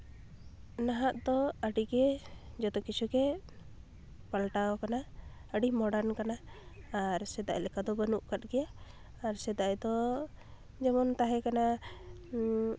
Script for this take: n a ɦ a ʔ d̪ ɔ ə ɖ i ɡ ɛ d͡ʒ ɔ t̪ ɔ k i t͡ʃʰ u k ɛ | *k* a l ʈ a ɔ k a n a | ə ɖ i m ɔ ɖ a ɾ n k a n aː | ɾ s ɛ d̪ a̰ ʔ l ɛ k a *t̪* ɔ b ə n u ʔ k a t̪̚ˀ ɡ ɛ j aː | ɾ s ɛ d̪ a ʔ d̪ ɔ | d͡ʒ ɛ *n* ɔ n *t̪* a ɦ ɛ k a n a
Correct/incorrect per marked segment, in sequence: incorrect: p, incorrect: d̪, incorrect: m, correct

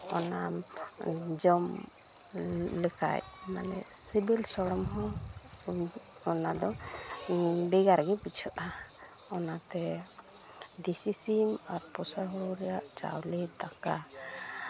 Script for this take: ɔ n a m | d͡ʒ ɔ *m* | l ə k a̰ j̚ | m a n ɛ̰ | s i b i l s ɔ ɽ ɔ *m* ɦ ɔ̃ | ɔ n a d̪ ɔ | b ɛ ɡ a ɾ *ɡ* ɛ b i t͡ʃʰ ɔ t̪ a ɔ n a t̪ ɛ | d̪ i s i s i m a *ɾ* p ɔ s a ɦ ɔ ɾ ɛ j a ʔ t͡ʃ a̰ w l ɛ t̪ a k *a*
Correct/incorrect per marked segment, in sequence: correct, correct, correct, correct, correct

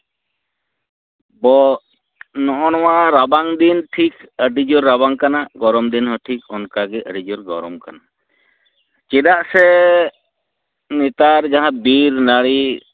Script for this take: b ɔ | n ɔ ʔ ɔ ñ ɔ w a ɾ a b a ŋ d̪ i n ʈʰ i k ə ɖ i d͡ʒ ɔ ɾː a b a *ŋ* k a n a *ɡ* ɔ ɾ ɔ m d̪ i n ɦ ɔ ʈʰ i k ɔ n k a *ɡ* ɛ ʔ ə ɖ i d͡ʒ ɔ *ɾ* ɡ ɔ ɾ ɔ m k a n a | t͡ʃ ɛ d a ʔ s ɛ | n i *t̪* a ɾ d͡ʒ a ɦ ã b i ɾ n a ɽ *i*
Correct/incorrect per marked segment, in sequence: correct, correct, correct, correct, correct, correct

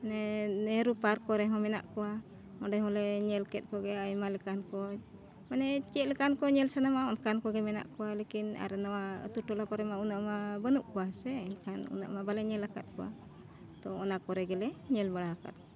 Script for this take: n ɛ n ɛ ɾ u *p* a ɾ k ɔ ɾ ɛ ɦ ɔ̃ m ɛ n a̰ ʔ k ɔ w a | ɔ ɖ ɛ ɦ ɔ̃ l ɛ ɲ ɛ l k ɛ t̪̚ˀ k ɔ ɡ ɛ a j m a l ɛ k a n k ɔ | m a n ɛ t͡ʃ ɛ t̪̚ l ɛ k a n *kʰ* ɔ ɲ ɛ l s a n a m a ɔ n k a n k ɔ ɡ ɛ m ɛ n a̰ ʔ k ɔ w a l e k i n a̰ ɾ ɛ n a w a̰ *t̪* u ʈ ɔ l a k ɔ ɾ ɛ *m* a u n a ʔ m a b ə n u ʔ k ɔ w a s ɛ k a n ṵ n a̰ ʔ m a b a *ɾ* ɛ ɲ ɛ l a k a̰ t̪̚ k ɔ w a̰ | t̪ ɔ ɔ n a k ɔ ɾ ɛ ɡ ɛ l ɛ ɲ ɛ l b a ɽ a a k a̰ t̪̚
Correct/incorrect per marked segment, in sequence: correct, incorrect: k, correct, correct, incorrect: l

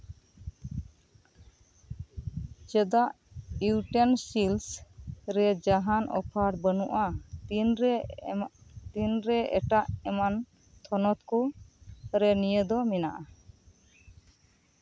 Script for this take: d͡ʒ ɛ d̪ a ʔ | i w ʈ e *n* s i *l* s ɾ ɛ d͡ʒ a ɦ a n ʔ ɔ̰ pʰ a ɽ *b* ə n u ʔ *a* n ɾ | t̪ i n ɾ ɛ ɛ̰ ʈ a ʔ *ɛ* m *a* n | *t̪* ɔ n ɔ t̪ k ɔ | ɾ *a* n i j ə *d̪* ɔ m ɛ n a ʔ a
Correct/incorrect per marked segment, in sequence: correct, correct, correct, correct, correct, correct, incorrect: t̪ʰ, incorrect: ɛ, correct

